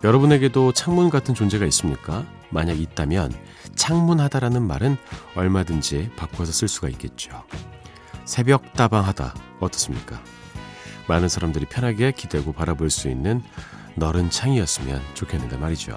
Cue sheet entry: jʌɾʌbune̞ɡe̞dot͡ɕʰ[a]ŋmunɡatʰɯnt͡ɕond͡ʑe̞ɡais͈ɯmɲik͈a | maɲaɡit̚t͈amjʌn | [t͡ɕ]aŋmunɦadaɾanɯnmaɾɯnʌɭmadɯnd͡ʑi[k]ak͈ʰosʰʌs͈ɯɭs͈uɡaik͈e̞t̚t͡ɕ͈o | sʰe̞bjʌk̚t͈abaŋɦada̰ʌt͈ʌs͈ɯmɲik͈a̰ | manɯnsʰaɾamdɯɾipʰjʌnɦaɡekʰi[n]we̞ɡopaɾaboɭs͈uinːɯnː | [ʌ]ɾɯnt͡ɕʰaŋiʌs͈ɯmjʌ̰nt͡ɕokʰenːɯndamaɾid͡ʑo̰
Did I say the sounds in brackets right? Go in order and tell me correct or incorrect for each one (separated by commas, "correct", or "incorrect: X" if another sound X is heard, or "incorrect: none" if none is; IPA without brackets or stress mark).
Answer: correct, incorrect: t͡ɕʰ, incorrect: p, incorrect: d, correct